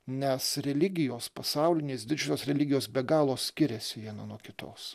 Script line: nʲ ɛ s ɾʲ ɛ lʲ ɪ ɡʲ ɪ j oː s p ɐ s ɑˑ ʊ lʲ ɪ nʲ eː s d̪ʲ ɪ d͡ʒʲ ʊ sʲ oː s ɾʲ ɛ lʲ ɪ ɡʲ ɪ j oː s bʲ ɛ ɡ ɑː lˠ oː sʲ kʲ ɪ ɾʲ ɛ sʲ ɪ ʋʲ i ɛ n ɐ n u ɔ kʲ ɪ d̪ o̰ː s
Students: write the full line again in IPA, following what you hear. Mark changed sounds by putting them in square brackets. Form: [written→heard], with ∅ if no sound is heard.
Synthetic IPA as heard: nʲ ɛ s ɾʲ ɛ lʲ ɪ ɡʲ ɪ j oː s p ɐ s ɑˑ ʊ lʲ ɪ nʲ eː s d̪ʲ ɪ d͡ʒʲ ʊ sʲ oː s ɾʲ ɛ lʲ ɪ ɡʲ ɪ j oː s bʲ ɛ ɡ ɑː lˠ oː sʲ kʲ ɪ ɾʲ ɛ sʲ ɪ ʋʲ i ɛ n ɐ n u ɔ kʲ ɪ [d̪→t̪] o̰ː s